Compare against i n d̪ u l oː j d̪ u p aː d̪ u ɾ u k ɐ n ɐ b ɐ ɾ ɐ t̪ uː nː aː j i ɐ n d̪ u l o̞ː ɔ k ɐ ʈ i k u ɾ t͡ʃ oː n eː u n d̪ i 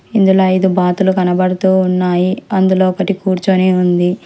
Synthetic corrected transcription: i n d̪ u l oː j d̪ u b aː t̪ u l u k ɐ n ɐ b ɐ ɽ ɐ t̪ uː nː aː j i ɐ n d̪ u l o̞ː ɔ k ɐ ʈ i k uː ɾ t͡ʃ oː n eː u n d̪ i